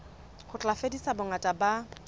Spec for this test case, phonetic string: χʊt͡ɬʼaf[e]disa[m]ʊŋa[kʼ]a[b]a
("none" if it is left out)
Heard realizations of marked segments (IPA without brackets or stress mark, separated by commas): e, b, tʼ, b